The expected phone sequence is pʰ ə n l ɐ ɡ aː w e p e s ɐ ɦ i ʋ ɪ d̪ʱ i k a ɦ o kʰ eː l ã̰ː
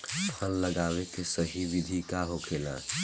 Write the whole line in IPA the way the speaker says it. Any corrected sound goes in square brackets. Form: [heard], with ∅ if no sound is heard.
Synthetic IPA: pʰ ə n l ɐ ɡ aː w e [k] e s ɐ ɦ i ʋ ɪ d̪ʱ i k a ɦ o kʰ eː l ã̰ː